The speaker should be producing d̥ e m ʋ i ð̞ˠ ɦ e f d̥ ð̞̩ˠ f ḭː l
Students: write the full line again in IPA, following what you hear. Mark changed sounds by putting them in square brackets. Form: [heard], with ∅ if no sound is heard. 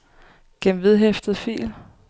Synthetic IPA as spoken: [ɡ̥] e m ʋ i ð̞ˠ ɦ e f d̥ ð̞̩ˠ f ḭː l